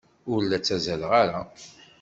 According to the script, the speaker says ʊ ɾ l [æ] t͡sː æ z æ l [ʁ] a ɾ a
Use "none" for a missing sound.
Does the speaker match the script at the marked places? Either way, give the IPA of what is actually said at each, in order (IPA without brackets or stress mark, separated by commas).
æ, ʁ